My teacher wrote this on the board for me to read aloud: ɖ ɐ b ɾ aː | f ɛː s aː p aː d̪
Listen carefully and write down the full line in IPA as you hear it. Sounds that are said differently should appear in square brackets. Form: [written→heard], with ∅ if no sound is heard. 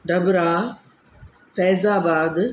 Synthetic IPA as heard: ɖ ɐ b ɾ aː | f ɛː [s→z] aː [p→b] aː d̪